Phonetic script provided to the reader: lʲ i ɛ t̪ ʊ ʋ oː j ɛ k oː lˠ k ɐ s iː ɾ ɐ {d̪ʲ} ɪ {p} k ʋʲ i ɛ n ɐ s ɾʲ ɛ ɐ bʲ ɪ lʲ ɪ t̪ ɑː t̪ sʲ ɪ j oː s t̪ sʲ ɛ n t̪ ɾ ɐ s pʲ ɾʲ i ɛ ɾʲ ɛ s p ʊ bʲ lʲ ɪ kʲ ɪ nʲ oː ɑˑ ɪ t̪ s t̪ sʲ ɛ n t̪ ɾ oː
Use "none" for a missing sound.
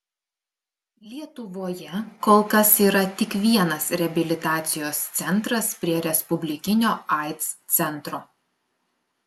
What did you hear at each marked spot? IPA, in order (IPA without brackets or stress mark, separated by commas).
t̪ʲ, none